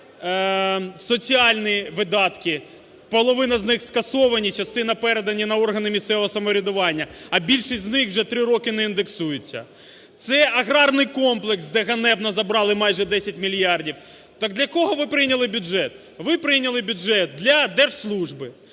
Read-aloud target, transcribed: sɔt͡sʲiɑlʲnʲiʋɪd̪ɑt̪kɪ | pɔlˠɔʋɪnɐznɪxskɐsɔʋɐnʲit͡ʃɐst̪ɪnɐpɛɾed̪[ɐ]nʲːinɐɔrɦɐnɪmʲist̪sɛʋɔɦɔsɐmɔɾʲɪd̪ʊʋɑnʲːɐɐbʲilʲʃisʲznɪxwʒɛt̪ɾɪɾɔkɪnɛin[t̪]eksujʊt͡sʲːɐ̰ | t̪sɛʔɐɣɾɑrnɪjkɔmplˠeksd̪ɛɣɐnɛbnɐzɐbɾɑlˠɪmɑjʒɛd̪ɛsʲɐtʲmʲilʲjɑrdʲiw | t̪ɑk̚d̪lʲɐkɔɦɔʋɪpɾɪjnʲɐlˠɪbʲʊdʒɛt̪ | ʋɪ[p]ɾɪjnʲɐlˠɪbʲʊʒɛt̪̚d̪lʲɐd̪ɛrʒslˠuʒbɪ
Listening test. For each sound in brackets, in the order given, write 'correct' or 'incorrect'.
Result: correct, incorrect: d̪, correct

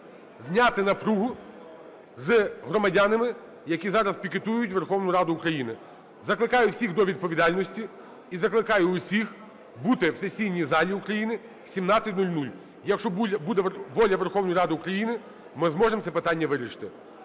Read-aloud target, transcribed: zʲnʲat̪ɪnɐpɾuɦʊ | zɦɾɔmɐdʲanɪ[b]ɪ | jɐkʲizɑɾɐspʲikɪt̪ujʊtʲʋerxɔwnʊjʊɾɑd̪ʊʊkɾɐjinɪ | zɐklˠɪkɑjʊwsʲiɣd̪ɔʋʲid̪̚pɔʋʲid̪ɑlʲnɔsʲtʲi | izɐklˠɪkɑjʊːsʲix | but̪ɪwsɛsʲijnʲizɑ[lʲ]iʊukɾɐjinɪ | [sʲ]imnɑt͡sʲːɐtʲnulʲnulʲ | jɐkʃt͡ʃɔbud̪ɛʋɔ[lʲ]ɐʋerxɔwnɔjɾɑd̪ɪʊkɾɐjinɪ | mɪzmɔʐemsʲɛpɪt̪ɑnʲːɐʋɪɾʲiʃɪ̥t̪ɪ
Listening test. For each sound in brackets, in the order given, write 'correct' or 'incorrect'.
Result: incorrect: m, correct, correct, correct

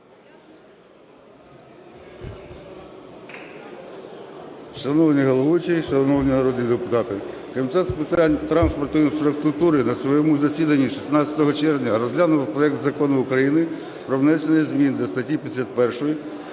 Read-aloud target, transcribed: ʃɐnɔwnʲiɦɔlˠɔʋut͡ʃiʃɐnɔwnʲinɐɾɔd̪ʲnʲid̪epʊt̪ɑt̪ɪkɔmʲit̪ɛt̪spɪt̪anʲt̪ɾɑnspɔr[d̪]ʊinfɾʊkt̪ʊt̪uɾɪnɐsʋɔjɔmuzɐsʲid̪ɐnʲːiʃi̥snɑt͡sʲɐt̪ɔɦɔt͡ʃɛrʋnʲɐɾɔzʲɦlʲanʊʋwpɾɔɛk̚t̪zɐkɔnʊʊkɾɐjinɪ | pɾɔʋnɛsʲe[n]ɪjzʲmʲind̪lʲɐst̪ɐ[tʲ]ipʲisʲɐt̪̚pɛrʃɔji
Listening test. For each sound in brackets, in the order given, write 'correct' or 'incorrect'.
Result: incorrect: t̪, correct, correct

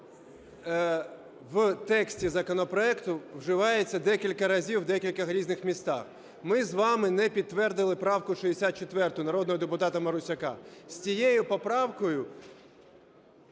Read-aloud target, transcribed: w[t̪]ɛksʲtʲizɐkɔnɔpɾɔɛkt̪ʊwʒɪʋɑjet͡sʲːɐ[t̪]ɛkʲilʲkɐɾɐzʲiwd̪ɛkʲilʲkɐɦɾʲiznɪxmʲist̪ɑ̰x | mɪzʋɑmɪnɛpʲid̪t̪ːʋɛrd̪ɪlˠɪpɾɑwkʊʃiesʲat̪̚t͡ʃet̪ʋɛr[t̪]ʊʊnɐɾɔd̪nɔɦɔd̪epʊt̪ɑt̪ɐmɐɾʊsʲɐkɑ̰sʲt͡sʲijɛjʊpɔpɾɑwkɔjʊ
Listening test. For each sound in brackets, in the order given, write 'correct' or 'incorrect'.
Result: correct, incorrect: d̪, correct

